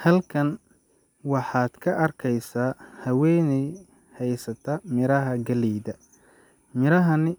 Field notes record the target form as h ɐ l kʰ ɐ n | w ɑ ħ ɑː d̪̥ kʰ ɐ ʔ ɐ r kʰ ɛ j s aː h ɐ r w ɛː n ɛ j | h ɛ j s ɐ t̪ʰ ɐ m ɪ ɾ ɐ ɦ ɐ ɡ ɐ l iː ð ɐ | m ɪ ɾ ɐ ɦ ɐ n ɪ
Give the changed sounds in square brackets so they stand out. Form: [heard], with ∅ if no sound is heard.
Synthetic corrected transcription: h ɐ l kʰ ɐ n | w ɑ ħ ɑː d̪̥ kʰ ɐ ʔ ɐ r kʰ ɛ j s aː h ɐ [∅] w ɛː n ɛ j | h ɛ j s ɐ t̪ʰ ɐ m ɪ ɾ ɐ ɦ ɐ ɡ ɐ l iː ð ɐ | m ɪ ɾ ɐ ɦ ɐ n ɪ